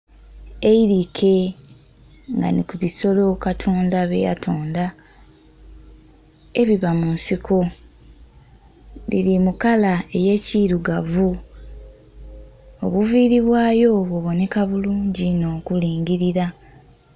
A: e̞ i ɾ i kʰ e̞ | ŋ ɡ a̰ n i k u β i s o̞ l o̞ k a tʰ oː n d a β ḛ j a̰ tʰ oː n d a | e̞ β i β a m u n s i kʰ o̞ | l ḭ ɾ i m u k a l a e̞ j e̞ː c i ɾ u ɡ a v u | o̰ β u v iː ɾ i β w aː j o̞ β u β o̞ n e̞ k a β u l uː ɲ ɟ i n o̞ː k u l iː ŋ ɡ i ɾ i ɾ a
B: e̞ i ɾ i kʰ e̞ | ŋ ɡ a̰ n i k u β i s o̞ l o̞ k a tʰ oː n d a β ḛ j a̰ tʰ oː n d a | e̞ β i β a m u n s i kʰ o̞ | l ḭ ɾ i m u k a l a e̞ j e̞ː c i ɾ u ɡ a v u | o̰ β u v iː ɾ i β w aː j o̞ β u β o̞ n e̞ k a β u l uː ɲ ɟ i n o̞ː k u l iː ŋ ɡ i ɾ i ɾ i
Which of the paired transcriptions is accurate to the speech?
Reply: A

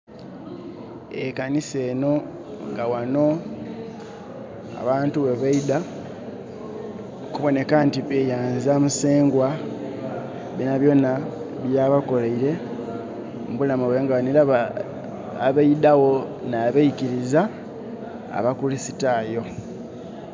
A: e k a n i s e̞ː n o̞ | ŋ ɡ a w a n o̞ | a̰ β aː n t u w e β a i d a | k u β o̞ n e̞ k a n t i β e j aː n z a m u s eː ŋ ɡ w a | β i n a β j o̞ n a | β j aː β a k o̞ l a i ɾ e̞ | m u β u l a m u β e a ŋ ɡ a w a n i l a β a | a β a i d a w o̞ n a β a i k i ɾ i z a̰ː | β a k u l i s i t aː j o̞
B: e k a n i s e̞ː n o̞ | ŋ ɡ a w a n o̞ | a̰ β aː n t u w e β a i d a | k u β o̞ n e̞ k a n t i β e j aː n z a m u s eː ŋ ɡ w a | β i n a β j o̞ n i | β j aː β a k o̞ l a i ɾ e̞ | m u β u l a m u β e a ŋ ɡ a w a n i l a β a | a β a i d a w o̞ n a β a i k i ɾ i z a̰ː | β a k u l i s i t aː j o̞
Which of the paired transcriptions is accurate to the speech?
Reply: A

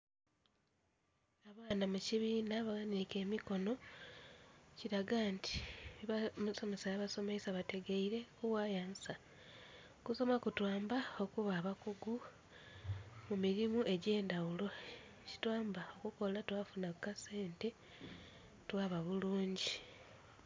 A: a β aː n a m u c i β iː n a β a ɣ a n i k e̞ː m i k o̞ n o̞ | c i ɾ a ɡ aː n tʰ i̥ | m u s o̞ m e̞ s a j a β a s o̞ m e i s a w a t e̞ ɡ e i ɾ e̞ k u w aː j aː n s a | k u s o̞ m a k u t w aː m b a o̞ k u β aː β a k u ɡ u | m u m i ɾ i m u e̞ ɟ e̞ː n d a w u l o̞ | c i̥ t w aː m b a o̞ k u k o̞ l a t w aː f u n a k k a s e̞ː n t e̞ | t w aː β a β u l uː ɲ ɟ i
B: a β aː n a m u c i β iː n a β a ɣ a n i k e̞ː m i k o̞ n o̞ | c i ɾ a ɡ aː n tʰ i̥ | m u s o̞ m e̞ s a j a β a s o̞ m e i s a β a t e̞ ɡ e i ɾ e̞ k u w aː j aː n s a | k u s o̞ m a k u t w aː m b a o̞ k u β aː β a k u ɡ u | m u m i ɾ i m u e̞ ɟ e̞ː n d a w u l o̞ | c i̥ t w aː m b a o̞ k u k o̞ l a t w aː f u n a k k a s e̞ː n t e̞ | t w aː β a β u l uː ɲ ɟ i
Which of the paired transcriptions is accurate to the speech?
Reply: B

